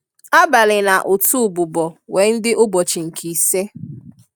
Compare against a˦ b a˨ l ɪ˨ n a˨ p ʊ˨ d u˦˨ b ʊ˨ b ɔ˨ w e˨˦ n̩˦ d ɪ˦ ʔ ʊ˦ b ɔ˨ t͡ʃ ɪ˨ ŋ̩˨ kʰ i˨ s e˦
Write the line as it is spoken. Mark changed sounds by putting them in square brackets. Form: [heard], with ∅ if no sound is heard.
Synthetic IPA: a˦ b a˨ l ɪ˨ n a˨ [ʔ] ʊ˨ [t] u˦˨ b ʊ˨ b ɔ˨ w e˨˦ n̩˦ d ɪ˦ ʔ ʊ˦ b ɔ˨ t͡ʃ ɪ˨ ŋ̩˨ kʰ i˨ s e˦

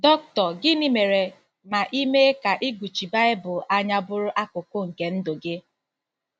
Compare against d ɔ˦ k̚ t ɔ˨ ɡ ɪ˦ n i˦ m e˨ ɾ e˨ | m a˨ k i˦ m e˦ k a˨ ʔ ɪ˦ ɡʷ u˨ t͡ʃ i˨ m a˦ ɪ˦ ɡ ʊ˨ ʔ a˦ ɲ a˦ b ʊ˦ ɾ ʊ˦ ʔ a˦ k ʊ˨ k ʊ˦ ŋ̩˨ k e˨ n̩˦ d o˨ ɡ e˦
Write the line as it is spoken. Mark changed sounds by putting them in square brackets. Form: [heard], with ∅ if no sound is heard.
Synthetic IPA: d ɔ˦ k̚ t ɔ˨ ɡ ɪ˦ n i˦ m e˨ ɾ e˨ | m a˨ [ʔ] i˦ m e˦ k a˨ ʔ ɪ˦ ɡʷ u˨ t͡ʃ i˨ [b] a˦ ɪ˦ [b] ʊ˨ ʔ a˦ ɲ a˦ b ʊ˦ ɾ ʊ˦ ʔ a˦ k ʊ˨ k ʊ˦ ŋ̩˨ k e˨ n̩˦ d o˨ ɡ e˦

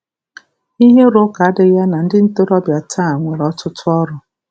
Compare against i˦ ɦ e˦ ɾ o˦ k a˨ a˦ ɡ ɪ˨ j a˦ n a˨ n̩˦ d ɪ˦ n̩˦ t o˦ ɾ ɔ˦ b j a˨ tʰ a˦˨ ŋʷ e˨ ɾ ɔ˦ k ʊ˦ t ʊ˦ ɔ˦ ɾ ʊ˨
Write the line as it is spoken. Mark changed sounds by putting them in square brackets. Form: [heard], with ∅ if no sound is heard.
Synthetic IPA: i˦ ɦ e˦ ɾ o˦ k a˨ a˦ [d] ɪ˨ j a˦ n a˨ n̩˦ d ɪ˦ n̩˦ t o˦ ɾ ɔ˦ b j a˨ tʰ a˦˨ ŋʷ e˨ ɾ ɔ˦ [t] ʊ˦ t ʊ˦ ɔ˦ ɾ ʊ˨

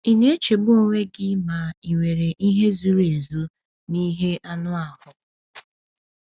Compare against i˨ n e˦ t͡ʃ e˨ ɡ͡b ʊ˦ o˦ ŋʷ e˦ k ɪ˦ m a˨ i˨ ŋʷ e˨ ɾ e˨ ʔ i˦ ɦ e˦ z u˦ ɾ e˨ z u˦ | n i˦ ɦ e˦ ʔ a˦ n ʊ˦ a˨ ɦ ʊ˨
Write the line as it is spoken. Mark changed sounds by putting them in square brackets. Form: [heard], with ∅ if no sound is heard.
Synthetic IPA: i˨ n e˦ t͡ʃ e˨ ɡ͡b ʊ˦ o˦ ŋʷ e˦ [ɡ] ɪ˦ m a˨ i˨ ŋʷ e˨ ɾ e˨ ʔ i˦ ɦ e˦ z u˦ ɾ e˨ z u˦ | n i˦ ɦ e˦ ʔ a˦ n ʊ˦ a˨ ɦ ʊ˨

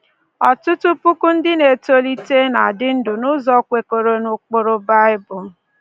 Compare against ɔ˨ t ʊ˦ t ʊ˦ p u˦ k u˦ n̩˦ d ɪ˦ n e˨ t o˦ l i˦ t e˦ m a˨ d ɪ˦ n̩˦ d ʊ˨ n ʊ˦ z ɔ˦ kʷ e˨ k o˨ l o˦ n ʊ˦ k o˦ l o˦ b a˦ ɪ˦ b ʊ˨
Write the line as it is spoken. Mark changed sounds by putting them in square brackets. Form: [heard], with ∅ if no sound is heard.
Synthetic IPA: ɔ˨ t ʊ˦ t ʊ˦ p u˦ k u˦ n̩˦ d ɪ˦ n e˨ t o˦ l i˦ t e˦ [n] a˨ d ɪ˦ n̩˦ d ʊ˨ n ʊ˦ z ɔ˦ kʷ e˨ k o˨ [ɾ] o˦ n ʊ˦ [k͡p] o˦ [ɾ] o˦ b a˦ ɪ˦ b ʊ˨

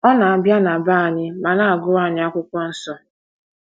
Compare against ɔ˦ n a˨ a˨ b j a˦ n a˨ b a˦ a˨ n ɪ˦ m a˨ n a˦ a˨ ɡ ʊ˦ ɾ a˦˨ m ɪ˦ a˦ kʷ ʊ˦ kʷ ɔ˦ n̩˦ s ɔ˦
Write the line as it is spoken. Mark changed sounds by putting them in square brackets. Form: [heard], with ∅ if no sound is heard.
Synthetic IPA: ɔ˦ n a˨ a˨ b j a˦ n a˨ b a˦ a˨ [ɲ] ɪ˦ m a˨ n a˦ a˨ ɡ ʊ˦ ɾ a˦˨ [ɲ] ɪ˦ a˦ kʷ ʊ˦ kʷ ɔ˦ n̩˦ s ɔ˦

